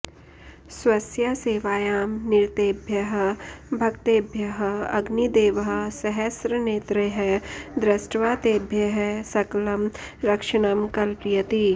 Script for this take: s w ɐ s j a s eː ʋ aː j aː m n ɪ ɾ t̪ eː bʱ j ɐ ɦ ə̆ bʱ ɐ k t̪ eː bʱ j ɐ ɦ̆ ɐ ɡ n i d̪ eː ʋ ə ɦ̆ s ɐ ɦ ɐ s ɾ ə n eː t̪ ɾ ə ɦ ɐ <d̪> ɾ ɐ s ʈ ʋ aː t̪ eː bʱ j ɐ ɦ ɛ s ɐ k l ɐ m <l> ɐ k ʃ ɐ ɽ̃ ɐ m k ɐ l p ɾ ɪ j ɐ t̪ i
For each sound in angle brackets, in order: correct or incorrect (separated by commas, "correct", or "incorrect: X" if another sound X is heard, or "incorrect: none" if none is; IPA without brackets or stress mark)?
correct, incorrect: ɾ